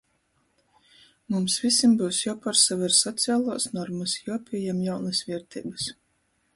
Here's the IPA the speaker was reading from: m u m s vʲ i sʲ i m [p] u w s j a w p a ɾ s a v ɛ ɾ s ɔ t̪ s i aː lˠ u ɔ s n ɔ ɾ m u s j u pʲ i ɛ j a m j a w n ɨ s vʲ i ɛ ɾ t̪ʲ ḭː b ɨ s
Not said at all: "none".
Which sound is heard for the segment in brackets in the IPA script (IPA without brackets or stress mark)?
b